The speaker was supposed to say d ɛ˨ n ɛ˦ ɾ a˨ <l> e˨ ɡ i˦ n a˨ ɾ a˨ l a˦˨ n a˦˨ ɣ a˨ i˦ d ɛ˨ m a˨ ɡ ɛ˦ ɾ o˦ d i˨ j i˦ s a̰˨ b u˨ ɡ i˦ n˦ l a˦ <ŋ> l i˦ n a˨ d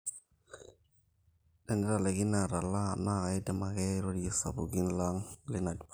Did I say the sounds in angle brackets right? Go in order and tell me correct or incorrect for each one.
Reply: correct, correct

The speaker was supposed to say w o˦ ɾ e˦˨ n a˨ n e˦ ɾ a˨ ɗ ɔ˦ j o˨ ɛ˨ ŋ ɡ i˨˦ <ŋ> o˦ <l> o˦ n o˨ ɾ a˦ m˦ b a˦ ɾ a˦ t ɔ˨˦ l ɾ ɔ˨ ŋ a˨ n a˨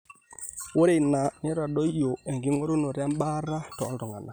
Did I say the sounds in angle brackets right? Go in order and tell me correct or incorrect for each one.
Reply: correct, incorrect

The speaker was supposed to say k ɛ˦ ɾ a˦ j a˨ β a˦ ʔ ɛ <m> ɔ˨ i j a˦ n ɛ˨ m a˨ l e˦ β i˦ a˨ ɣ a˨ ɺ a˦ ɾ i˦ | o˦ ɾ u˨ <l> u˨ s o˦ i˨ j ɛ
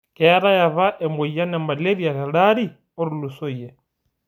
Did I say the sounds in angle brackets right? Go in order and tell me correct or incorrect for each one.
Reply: correct, correct

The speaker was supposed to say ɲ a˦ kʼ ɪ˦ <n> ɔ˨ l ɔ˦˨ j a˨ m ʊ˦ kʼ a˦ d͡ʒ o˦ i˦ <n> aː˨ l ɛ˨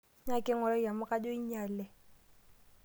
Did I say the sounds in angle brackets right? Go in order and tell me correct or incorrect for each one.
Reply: incorrect, incorrect

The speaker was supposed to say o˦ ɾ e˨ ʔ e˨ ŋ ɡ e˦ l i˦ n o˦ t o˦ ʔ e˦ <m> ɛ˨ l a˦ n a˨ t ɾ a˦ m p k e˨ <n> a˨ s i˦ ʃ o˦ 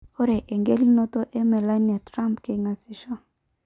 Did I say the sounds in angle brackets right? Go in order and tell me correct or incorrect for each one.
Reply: correct, incorrect

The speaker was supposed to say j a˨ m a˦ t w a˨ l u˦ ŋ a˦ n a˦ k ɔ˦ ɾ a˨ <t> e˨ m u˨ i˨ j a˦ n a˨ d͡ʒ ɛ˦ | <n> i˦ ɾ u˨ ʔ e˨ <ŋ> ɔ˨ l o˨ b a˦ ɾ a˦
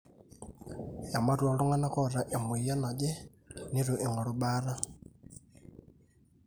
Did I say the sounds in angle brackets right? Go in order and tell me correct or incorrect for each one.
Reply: incorrect, correct, correct

